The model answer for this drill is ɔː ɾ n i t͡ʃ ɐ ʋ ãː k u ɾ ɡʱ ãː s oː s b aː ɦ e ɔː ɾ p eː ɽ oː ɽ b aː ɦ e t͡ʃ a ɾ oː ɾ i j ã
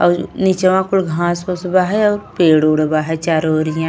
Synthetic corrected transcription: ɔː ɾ n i t͡ʃ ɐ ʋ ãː k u l ɡʱ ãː s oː s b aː ɦ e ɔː ɾ p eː ɽ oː ɽ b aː ɦ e t͡ʃ a ɾ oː ɾ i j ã